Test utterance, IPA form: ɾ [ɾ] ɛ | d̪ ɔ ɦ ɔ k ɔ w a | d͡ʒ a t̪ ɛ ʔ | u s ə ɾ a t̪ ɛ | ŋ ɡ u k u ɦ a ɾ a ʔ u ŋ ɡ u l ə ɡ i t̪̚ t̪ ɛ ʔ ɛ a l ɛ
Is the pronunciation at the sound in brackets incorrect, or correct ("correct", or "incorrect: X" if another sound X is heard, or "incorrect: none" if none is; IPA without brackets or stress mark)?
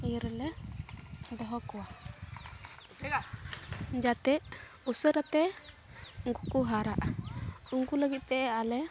incorrect: l